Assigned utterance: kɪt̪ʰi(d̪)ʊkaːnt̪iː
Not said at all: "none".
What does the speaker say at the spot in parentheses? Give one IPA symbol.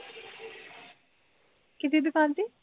d̪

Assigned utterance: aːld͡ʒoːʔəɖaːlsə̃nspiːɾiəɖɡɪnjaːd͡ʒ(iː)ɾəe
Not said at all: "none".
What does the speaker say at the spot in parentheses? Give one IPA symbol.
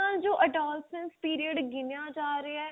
aː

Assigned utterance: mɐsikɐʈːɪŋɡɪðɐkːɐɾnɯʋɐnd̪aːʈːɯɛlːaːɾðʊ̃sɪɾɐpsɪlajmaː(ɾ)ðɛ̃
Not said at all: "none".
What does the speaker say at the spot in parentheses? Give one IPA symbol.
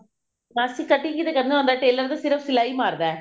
ɾ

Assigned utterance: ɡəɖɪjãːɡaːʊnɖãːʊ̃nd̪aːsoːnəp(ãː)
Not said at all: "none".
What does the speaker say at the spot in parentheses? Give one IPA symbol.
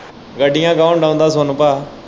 aː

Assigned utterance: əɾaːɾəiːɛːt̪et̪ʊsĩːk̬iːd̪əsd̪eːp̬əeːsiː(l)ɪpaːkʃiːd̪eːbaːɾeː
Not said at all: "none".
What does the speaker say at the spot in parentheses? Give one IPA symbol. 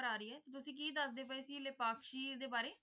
l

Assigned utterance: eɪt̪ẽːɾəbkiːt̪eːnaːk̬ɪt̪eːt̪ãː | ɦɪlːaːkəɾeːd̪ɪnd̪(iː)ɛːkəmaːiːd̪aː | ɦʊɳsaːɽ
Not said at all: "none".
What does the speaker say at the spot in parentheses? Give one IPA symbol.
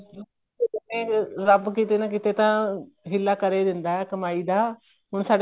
aː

